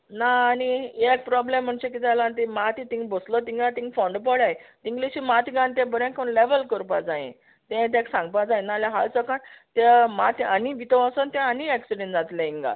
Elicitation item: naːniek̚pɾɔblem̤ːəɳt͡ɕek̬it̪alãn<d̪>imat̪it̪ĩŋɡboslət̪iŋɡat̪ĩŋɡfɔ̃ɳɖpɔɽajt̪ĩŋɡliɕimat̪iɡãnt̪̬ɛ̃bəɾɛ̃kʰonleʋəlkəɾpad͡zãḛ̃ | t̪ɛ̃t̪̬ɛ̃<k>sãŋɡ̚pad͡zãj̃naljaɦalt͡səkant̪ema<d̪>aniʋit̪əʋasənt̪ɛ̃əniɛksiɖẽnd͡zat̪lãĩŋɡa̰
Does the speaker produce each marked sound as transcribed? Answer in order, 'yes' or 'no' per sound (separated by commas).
no, yes, no